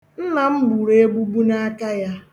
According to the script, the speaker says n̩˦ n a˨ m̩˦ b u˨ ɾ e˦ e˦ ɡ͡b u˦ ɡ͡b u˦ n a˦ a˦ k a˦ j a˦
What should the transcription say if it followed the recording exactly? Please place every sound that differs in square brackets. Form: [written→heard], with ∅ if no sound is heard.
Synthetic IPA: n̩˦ n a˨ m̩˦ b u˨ ɾ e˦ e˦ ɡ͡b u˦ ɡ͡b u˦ n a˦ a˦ k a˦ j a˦